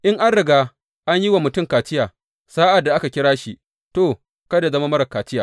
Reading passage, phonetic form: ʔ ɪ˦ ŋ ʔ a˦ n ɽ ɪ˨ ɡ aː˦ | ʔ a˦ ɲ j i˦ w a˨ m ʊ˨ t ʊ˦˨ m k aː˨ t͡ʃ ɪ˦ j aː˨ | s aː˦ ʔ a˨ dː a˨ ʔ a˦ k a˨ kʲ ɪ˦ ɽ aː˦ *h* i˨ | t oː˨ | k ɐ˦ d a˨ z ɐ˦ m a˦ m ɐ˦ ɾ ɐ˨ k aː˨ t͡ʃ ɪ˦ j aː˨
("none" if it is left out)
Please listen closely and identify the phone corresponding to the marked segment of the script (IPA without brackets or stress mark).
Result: ʃ